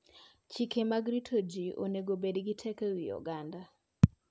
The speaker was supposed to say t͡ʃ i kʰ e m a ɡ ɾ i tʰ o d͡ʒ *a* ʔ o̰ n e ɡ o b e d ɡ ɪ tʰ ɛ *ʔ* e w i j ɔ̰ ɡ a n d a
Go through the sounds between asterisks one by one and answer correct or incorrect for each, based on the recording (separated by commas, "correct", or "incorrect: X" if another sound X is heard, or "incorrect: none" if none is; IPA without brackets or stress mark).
incorrect: i, incorrect: k